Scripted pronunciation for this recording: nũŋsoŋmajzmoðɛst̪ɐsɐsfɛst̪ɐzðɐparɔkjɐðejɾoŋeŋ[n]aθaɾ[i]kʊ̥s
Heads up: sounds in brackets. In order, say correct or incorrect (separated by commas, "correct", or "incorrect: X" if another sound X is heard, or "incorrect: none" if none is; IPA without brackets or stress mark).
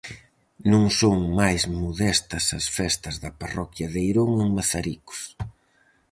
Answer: incorrect: m, correct